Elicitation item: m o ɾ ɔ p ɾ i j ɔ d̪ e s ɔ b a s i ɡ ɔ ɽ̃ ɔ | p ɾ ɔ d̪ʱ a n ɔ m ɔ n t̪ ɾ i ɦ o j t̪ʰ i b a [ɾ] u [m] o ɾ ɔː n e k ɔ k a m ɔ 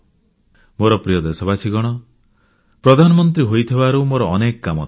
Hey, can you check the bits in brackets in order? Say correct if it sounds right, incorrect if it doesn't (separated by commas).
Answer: correct, correct